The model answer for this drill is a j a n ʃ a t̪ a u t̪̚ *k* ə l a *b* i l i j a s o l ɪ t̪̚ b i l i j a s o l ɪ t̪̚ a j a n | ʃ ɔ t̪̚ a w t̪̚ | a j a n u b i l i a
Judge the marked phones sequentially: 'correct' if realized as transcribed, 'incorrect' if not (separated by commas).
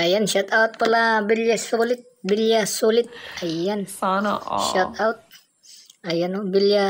incorrect, correct